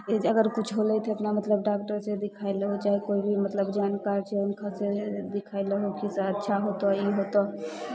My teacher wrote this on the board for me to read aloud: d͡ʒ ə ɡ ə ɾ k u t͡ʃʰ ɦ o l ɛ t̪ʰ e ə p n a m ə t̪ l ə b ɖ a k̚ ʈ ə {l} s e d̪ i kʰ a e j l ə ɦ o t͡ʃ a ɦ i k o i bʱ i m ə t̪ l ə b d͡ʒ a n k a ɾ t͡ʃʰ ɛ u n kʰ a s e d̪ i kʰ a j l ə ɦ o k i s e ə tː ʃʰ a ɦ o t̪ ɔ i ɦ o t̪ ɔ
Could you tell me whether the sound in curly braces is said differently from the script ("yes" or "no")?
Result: yes